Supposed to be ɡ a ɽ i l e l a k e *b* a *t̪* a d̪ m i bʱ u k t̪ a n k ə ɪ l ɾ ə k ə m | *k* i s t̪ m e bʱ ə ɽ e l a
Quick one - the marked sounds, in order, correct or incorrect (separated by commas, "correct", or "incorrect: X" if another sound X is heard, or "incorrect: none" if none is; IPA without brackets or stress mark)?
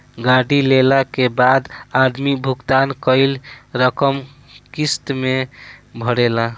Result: correct, incorrect: d̪, correct